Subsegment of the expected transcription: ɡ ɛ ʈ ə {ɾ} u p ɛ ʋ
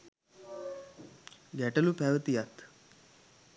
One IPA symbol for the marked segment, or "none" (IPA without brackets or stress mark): l